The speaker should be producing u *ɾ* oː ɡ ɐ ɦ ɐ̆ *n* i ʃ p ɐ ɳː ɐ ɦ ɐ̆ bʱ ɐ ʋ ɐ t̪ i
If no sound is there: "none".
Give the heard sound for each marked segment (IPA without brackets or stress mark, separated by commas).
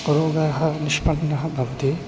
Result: ɾ, n